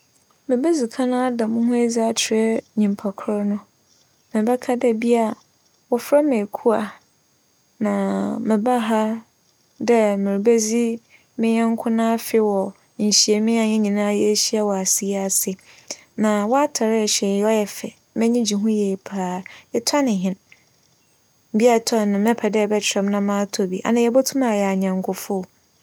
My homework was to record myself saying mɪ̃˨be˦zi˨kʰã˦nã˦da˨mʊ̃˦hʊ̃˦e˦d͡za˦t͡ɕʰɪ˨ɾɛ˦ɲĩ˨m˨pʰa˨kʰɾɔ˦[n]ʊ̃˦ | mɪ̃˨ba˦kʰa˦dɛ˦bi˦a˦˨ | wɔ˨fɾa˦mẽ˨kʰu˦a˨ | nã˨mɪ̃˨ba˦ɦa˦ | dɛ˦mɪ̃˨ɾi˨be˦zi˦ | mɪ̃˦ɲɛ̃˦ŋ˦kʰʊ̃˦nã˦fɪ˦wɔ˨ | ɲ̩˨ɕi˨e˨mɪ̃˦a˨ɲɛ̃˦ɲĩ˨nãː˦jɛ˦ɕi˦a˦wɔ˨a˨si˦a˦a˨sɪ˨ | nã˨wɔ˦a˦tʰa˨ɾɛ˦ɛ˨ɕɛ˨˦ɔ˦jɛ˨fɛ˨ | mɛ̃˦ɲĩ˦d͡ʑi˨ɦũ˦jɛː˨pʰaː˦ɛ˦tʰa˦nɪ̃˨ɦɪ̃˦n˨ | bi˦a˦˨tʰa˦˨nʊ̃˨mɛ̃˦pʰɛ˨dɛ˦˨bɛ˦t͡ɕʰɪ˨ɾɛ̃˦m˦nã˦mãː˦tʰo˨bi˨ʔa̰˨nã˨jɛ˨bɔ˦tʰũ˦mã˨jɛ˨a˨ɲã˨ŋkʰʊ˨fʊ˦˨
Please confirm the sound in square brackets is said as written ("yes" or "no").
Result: yes